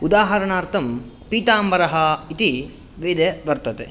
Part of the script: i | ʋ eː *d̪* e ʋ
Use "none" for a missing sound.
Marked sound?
d̪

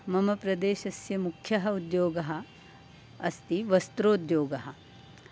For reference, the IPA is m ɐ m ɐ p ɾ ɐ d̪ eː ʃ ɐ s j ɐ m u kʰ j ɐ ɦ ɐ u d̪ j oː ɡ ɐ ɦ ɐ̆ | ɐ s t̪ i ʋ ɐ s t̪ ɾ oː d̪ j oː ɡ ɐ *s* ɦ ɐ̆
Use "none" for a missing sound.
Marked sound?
none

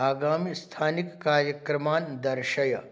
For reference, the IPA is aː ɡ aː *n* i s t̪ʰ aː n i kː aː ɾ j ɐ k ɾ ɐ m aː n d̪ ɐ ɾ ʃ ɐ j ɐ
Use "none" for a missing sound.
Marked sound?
m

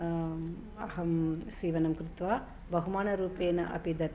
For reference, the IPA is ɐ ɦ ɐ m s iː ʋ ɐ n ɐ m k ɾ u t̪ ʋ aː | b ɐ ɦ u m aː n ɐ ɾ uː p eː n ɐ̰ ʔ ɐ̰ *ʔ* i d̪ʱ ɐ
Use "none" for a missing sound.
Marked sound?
p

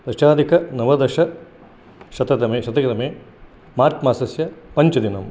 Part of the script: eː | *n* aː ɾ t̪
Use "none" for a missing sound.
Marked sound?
m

